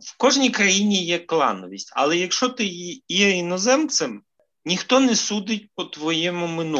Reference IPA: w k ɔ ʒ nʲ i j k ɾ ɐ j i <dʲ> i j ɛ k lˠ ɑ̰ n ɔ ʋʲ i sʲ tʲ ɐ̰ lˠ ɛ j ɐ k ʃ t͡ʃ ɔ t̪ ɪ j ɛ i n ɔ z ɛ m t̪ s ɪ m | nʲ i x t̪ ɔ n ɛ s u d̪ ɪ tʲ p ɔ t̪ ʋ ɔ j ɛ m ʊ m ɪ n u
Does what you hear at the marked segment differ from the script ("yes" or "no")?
yes